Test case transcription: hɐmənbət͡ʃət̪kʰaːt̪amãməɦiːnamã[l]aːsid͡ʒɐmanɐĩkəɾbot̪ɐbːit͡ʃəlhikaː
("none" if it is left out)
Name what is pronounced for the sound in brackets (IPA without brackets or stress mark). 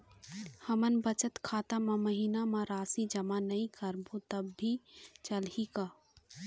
ɾ